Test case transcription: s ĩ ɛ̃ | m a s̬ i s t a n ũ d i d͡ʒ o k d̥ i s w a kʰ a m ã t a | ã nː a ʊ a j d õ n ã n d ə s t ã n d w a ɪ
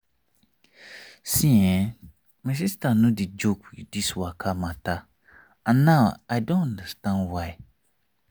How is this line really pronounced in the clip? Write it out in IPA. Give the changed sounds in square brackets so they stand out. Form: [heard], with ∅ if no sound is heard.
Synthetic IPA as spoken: s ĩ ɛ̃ | m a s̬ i s t a n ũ d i d͡ʒ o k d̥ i s w a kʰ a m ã t a | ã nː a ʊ a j d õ n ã n d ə s t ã n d w a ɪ